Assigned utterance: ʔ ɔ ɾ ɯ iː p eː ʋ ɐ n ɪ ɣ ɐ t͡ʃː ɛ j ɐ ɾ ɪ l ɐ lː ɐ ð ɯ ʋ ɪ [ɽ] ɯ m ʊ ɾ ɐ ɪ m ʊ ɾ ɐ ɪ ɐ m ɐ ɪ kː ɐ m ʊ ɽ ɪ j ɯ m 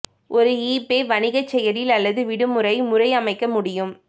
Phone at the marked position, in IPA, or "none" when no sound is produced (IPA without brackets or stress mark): ɽ